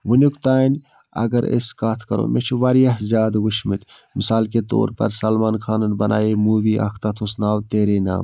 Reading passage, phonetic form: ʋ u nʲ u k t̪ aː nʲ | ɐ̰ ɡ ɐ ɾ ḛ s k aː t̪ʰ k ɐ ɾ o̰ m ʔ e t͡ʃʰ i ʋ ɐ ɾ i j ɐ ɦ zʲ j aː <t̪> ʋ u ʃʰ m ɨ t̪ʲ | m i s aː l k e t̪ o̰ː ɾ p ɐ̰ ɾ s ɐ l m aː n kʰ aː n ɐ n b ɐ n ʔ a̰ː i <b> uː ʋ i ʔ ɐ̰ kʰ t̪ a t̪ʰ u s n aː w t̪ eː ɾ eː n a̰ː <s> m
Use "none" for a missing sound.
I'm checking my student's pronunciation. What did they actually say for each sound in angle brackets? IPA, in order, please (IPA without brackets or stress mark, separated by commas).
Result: d̪, m, none